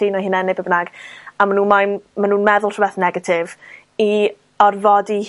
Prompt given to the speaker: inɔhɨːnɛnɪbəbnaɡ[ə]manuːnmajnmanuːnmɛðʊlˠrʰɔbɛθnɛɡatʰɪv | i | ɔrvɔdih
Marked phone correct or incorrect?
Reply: incorrect